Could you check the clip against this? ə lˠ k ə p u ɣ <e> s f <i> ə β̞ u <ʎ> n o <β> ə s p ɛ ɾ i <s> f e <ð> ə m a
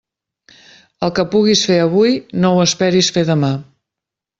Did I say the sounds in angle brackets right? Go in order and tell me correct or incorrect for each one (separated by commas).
incorrect, incorrect, incorrect, incorrect, correct, correct